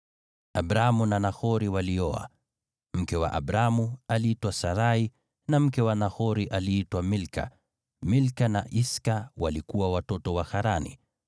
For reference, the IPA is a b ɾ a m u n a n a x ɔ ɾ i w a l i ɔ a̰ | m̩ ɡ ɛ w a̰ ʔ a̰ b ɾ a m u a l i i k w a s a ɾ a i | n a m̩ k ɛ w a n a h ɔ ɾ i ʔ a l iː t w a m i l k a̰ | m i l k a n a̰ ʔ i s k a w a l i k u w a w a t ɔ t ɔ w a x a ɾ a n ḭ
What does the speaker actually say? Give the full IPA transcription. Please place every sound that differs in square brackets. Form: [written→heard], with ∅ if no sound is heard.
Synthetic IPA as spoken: a b ɾ a m u n a n a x ɔ ɾ i w a l i ɔ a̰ | m̩ [ɡ→k] ɛ w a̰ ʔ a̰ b ɾ a m u a l i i [k→t] w a s a ɾ a i | n a m̩ k ɛ w a n a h ɔ ɾ i ʔ a l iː t w a m i l k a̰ | m i l k a n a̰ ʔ i s k a w a l i k u w a w a t ɔ t ɔ w a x a ɾ a n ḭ